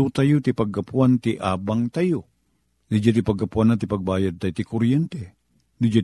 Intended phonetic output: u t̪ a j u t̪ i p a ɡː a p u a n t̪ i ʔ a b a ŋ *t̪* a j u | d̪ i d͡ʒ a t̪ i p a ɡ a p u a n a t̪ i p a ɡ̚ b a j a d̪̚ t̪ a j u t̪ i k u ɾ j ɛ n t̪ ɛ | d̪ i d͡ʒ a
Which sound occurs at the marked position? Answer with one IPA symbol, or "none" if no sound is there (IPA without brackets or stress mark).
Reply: t̪